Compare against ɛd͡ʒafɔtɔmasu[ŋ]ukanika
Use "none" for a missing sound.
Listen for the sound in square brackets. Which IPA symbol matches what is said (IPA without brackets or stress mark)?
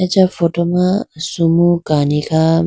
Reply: m